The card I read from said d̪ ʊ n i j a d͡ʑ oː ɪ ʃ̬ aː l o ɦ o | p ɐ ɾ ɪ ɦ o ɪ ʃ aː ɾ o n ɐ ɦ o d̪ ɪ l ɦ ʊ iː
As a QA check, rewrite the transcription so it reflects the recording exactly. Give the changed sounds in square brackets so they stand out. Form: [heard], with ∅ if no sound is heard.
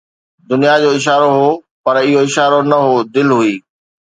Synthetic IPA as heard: d̪ ʊ n i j a d͡ʑ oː ɪ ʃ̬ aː [ɾ] o ɦ o | p ɐ ɾ ɪ ɦ o ɪ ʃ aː ɾ o n ɐ ɦ o d̪ ɪ l ɦ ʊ iː